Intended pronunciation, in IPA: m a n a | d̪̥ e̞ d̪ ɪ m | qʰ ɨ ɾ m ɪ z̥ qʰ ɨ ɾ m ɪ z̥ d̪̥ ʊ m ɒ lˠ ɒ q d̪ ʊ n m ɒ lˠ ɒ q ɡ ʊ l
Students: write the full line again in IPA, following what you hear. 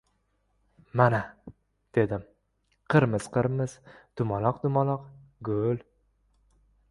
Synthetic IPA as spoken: m a n a | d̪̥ e̞ d̪ ɪ m | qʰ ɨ ɾ m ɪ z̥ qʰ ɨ ɾ m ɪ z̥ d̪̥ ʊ m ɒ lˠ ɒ q d̪ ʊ m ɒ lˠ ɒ q ɡ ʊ l